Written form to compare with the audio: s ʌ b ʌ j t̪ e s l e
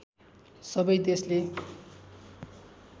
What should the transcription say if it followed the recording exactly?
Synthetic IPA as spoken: s ʌ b ʌ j d̪ e s l e